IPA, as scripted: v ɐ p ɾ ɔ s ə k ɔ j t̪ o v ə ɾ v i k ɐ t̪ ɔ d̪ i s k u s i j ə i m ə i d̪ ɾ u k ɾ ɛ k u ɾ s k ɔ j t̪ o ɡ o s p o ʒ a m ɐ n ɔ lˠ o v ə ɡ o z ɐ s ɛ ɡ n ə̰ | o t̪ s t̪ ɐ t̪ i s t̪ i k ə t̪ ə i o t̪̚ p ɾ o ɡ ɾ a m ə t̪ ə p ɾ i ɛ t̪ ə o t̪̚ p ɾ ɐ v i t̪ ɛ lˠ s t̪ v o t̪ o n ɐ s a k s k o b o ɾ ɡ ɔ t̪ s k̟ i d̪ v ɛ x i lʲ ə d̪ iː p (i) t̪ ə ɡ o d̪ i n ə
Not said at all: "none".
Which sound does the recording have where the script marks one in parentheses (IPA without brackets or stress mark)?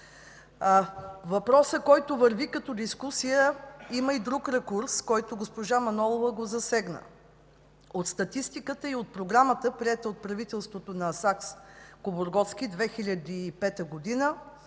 ɛ